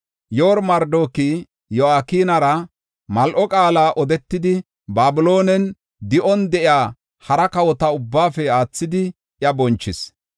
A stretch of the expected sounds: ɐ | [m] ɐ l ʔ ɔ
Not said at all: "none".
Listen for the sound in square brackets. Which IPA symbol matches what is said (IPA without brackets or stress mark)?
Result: m